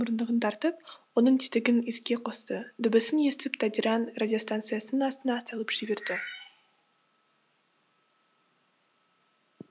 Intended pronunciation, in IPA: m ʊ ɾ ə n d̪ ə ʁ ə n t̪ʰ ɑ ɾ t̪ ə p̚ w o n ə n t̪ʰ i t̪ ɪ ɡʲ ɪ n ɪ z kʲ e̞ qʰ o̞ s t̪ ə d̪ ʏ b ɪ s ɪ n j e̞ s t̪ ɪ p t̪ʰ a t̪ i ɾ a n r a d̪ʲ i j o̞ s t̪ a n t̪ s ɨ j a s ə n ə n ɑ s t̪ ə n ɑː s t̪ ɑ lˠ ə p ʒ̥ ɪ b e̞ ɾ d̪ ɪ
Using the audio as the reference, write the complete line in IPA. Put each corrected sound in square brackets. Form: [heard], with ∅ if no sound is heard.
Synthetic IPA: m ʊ ɾ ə n d̪ ə ʁ ə n t̪ʰ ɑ ɾ t̪ ə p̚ w o n ə [ɴ] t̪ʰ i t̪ ɪ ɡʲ ɪ n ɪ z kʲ e̞ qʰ o̞ s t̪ ə d̪ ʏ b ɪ s ɪ n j e̞ s t̪ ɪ p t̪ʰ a [d̪] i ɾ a n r a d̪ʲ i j o̞ s t̪ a n t̪ s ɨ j a s ə n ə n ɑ s t̪ ə n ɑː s t̪ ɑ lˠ ə p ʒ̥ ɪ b e̞ ɾ d̪ ɪ

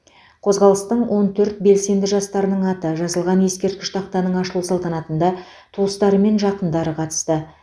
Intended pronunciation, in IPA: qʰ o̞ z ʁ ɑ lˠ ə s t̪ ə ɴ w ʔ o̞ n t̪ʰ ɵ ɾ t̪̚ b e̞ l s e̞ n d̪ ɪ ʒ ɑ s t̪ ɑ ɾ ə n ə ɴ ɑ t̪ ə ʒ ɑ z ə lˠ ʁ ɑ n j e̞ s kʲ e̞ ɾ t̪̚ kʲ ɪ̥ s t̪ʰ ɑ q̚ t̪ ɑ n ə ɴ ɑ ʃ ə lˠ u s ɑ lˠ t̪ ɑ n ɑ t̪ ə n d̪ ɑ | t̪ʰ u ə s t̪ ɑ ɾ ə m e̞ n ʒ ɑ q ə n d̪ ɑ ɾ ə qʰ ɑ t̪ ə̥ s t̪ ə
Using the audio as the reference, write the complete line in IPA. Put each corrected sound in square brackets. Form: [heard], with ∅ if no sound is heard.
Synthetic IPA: qʰ o̞ z ʁ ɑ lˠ ə s t̪ ə ɴ w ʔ o̞ n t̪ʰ ɵ ɾ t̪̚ b e̞ l s e̞ n d̪ ɪ ʒ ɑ s t̪ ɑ ɾ ə n ə ɴ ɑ t̪ ə ʒ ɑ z ə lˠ ʁ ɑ n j e̞ s kʲ e̞ ɾ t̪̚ kʲ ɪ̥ [ʃ] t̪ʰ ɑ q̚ t̪ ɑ n ə ɴ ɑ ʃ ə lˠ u s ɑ lˠ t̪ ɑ n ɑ t̪ ə n d̪ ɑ | t̪ʰ u ə s t̪ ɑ ɾ ə m e̞ n ʒ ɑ q ə n d̪ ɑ ɾ ə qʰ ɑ t̪ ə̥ s t̪ ə

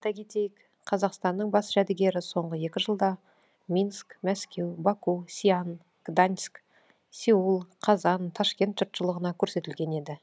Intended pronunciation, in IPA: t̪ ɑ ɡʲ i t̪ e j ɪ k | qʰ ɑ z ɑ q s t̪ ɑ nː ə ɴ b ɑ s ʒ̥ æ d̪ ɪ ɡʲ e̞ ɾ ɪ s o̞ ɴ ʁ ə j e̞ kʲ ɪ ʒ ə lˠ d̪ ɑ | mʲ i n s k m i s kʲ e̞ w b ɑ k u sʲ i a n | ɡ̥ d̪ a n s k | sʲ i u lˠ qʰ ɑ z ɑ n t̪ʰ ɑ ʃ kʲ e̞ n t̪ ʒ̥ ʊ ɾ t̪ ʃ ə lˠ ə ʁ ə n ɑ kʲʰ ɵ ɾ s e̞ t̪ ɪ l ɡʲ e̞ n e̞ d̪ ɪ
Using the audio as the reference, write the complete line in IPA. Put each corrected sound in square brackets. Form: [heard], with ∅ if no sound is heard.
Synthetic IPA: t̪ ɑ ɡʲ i t̪ e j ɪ k | qʰ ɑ z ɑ q s t̪ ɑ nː ə ɴ b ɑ s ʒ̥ æ d̪ ɪ ɡʲ e̞ ɾ ɪ s o̞ ɴ ʁ ə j e̞ kʲ ɪ ʒ ə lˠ d̪ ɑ | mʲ i n s k m [æ] s kʲ e̞ w b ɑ k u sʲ i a n | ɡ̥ d̪ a n s k | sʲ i u lˠ qʰ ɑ z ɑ n t̪ʰ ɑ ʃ kʲ e̞ n t̪ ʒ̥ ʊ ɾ t̪ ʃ ə lˠ ə ʁ ə n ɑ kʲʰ ɵ ɾ s e̞ t̪ ɪ l ɡʲ e̞ n e̞ d̪ ɪ

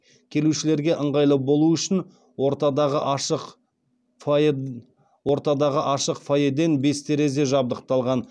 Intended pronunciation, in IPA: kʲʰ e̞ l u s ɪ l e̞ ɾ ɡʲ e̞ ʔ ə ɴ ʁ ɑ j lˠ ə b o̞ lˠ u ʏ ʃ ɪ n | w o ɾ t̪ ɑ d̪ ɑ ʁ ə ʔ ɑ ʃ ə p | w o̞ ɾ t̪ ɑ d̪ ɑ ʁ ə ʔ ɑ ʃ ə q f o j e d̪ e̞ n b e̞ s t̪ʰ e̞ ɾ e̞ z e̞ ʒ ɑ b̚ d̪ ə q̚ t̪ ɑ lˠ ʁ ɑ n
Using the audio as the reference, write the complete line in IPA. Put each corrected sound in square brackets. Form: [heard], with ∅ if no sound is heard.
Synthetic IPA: kʲʰ e̞ l u [ʃ] ɪ l e̞ ɾ ɡʲ e̞ ʔ ə ɴ ʁ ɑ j lˠ ə b o̞ lˠ u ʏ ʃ ɪ n | w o ɾ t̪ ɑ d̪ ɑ ʁ ə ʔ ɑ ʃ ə [q] | w o̞ ɾ t̪ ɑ d̪ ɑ ʁ ə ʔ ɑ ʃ ə q f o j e d̪ e̞ n b e̞ s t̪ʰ e̞ ɾ e̞ z e̞ ʒ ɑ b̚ d̪ ə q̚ t̪ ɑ lˠ ʁ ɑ n

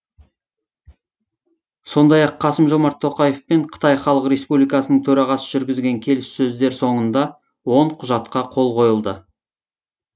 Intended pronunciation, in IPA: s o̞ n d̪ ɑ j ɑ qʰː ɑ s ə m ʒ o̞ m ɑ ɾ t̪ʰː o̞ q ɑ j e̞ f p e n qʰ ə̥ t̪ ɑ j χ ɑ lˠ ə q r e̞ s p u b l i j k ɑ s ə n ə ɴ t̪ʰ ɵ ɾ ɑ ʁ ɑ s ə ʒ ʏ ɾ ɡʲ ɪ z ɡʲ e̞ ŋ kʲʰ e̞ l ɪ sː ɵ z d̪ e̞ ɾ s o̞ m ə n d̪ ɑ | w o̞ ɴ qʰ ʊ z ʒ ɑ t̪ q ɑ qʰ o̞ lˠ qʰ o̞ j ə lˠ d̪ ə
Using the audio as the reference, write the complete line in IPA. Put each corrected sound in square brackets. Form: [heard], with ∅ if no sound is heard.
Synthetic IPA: s o̞ n d̪ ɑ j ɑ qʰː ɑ s ə m ʒ o̞ m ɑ ɾ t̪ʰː o̞ q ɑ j e̞ f p e [ɴ] qʰ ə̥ t̪ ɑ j χ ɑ lˠ ə q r e̞ s p u b l i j k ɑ s ə n ə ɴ t̪ʰ ɵ ɾ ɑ ʁ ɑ s ə ʒ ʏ ɾ ɡʲ ɪ z ɡʲ e̞ ŋ kʲʰ e̞ l ɪ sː ɵ z d̪ e̞ ɾ s o̞ [ɴ] ə n d̪ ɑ | w o̞ ɴ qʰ ʊ [∅] ʒ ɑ t̪ q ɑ qʰ o̞ lˠ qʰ o̞ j ə lˠ d̪ ə

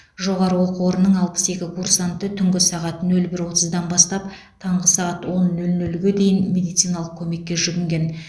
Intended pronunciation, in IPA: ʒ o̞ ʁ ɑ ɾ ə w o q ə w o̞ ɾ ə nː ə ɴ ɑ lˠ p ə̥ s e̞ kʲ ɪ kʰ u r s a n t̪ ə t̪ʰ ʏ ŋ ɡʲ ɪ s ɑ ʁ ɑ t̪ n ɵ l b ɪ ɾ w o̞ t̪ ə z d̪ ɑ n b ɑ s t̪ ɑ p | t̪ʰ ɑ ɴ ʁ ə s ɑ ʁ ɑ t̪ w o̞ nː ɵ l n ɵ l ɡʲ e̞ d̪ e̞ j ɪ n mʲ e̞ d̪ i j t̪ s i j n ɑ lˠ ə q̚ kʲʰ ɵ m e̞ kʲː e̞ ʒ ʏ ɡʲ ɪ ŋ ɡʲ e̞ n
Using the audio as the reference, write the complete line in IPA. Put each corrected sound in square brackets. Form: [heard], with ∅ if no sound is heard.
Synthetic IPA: ʒ o̞ ʁ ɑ ɾ ə w o q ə w o̞ ɾ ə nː ə ɴ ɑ lˠ p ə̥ s e̞ kʲ ɪ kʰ u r s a n t̪ ə t̪ʰ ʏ ŋ ɡʲ ɪ s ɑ ʁ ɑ t̪ n ɵ l b ɪ ɾ w o̞ t̪ ə z d̪ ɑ n b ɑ s t̪ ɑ p | t̪ʰ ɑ ɴ ʁ ə s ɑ ʁ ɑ t̪ w o̞ nː ɵ l n ɵ l ɡʲ e̞ d̪ e̞ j ɪ n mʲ e̞ d̪ i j t̪ s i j n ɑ lˠ ə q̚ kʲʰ ɵ m e̞ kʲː e̞ ʒ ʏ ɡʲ ɪ ŋ ɡʲ e̞ n

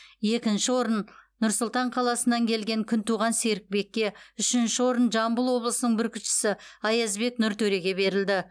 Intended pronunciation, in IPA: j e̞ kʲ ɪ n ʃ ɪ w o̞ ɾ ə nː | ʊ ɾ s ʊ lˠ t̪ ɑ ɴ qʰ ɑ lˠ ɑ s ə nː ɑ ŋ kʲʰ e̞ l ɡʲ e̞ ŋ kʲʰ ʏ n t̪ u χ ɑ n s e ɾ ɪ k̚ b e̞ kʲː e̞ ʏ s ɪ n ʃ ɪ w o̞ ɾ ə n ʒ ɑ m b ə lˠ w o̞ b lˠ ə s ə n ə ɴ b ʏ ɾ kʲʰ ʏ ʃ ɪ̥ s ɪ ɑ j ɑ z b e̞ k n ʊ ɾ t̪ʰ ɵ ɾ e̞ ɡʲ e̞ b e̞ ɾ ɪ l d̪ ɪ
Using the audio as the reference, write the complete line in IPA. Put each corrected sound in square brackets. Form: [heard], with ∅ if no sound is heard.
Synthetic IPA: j e̞ kʲ ɪ n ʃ ɪ w o̞ ɾ ə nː | ʊ ɾ s ʊ lˠ t̪ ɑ ɴ qʰ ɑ lˠ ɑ s ə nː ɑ ŋ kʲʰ e̞ l ɡʲ e̞ ŋ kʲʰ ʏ n t̪ u [ʁ] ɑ n s e ɾ ɪ k̚ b e̞ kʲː e̞ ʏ [ʃ] ɪ n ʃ ɪ w o̞ ɾ ə n ʒ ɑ m b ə lˠ w o̞ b lˠ ə s ə n ə ɴ b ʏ ɾ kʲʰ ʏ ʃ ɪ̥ s ɪ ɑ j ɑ z b e̞ k n ʊ ɾ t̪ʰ ɵ ɾ e̞ ɡʲ e̞ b e̞ ɾ ɪ l d̪ ɪ

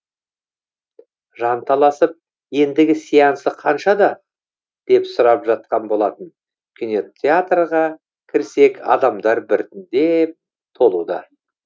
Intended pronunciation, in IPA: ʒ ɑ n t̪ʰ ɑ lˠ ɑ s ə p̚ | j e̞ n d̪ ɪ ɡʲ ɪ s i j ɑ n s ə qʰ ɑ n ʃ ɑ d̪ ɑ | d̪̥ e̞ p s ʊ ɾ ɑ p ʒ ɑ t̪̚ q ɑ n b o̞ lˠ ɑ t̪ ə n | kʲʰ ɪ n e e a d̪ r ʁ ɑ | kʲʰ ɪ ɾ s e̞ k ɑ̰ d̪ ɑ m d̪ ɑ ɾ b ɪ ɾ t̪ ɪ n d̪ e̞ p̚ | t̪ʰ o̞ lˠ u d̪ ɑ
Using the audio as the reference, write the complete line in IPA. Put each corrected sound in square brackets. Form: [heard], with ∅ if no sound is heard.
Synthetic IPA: ʒ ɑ n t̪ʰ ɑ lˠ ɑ s ə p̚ | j e̞ n d̪ ɪ ɡʲ ɪ s i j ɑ n s ə qʰ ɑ n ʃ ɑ d̪ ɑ | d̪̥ e̞ p s ʊ ɾ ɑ p ʒ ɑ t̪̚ q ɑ n b o̞ lˠ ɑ t̪ ə n | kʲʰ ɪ n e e a [t̪] r ʁ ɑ | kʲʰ ɪ ɾ s e̞ k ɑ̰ d̪ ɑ m d̪ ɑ ɾ b ɪ ɾ t̪ ɪ n d̪ e̞ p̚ | t̪ʰ o̞ lˠ u d̪ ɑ

